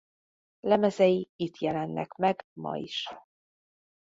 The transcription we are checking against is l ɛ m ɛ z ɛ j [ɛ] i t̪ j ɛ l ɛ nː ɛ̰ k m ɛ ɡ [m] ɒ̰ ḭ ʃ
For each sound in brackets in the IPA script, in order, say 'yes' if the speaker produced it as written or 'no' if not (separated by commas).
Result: no, yes